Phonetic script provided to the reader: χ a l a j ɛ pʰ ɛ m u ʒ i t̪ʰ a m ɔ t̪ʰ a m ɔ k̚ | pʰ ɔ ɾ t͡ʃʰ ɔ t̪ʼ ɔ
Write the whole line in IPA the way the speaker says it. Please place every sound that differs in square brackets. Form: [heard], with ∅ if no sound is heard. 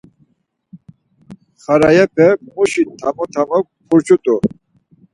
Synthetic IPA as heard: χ a [ɾ] a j ɛ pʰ ɛ m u [ʃ] i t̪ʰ a m ɔ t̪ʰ a m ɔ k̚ | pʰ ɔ ɾ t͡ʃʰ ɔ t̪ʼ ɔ